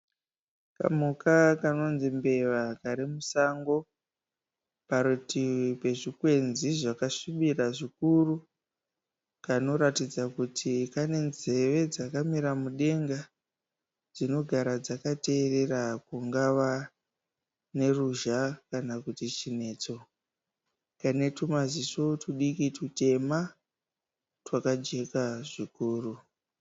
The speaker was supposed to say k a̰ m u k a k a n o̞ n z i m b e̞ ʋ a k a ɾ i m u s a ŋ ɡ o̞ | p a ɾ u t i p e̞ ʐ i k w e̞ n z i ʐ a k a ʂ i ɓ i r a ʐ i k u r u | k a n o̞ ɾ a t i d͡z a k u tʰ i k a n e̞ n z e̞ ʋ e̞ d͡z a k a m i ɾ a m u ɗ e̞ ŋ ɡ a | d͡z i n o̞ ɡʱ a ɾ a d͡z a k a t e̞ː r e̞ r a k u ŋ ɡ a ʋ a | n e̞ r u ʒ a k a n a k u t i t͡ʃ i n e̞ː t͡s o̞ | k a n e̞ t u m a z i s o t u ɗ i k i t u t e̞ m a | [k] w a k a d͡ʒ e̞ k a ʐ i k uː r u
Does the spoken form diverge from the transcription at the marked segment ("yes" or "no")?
yes